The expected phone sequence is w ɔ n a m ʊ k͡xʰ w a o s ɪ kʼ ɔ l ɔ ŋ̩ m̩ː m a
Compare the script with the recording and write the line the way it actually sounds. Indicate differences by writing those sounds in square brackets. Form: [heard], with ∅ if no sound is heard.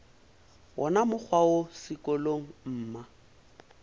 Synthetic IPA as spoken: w ɔ n a m ʊ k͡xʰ w a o s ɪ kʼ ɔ l [o] ŋ̩ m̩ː m a